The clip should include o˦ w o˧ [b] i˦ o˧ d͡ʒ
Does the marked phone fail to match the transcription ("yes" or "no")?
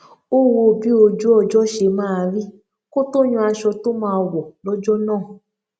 no